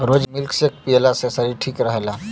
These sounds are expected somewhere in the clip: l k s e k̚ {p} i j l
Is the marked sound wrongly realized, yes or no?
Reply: no